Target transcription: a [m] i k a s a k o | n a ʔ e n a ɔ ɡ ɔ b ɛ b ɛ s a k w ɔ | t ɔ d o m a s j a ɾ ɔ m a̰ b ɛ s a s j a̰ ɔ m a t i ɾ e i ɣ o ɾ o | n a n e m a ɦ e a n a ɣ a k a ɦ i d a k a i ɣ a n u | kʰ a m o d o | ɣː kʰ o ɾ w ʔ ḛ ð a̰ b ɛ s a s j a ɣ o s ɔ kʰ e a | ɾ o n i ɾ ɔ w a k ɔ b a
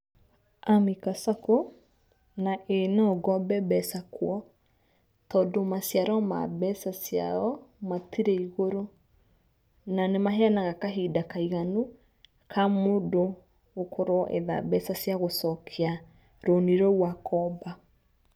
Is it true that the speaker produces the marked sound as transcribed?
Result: yes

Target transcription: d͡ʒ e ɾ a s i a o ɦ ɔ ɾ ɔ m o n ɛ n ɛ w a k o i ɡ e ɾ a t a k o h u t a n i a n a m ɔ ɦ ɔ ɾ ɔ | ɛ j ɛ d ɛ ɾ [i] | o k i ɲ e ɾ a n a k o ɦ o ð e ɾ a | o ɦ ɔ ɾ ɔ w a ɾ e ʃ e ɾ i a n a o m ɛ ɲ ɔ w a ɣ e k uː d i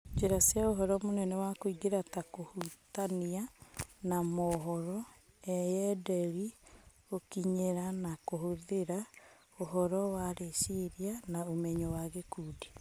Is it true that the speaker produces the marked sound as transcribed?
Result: yes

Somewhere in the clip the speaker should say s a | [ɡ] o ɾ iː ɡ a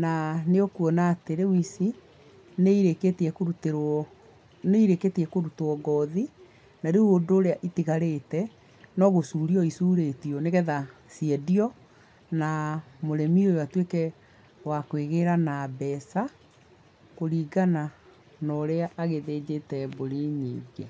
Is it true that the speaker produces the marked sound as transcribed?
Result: no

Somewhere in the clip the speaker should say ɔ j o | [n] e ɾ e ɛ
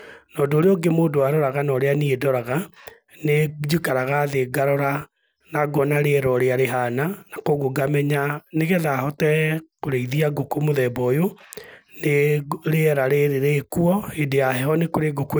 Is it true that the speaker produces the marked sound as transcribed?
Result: yes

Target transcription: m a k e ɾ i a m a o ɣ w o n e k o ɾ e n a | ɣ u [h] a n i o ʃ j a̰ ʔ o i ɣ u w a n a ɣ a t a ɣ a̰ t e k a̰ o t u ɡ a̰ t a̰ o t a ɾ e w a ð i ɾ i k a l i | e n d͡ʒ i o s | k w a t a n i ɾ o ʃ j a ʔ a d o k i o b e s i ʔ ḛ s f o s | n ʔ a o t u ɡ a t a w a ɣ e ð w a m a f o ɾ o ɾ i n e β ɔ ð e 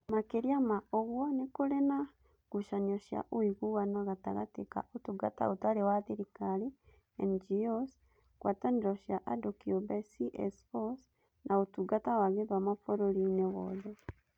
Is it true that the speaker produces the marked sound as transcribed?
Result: no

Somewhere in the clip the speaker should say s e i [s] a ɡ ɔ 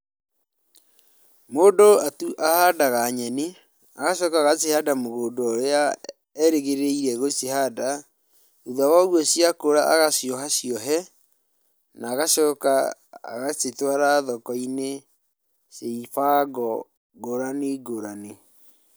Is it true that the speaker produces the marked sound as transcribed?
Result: no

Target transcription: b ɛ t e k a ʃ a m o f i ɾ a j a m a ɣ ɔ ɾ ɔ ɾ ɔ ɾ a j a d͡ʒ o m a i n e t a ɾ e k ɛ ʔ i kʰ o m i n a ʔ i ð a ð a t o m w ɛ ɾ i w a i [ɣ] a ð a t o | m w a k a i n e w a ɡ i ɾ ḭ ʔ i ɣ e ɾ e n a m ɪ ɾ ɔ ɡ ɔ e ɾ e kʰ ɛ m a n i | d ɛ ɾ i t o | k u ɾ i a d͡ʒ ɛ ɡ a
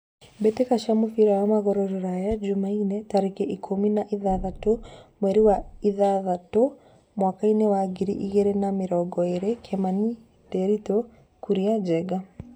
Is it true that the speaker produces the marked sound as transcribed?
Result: no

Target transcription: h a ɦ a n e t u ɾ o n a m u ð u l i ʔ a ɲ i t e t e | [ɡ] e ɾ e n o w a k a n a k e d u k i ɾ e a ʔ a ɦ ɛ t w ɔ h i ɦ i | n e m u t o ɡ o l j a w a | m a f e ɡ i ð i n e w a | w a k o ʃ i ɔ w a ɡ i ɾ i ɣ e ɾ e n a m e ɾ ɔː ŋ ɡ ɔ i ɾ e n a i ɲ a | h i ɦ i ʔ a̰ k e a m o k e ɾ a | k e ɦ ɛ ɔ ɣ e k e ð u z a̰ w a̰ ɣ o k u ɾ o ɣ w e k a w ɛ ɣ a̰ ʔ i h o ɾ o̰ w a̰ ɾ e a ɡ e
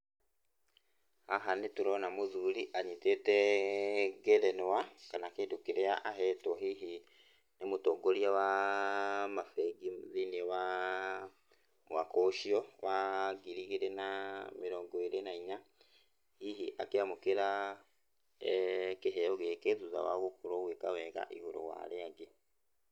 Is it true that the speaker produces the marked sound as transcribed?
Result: yes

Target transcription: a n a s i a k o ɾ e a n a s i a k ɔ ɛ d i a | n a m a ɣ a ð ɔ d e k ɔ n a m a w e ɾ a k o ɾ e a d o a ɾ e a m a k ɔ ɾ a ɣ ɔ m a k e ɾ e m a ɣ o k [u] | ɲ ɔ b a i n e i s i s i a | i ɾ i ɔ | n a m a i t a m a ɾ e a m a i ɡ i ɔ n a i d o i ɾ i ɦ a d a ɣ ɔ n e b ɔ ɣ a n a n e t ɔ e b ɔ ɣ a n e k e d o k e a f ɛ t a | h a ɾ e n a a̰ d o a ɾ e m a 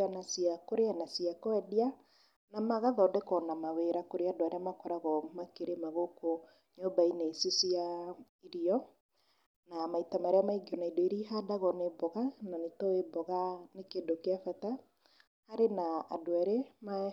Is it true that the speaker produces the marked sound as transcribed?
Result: no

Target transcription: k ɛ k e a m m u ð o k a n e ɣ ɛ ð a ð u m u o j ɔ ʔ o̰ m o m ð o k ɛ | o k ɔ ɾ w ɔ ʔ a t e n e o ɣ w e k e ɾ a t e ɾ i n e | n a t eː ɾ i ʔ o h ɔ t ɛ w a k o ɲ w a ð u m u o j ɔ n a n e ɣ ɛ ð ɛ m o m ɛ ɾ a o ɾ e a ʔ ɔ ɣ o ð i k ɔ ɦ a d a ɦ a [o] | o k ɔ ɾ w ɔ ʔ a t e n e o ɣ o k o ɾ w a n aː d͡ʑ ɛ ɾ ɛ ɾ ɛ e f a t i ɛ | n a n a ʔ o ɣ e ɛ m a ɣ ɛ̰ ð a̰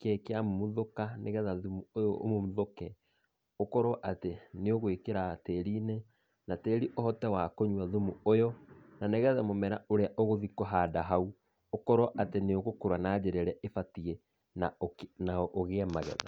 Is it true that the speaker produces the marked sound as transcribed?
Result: no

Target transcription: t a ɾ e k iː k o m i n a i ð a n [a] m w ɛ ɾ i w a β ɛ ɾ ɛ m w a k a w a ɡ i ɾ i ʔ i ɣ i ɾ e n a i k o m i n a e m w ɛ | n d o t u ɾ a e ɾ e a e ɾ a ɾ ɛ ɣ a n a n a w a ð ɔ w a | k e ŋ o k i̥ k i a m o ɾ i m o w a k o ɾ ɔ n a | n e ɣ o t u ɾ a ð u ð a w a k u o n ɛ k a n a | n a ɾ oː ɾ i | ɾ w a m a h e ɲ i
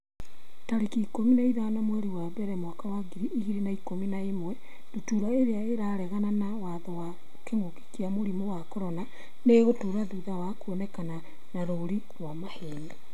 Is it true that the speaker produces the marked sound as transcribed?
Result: yes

